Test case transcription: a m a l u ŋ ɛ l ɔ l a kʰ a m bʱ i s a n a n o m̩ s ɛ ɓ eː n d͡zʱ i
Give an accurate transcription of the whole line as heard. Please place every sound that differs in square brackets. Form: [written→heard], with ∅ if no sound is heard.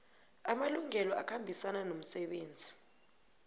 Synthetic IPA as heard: a m a l u ŋ ɛ l ɔ [l→∅] a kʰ a m bʱ i s a n a n o m̩ s ɛ ɓ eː n d͡zʱ i